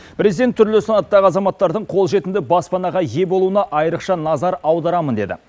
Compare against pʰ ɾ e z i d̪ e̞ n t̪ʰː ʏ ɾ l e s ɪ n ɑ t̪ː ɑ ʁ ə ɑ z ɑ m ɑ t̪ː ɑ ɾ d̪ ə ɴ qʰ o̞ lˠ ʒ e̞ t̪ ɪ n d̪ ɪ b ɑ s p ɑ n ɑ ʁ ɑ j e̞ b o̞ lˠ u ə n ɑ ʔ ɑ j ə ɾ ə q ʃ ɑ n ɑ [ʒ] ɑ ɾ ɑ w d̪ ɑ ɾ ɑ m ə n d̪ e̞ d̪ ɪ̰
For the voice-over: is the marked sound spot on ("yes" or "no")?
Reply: no